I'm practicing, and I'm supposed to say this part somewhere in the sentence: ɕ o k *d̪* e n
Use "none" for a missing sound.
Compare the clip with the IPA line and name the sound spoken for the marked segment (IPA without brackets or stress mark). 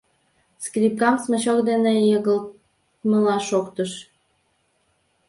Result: d̪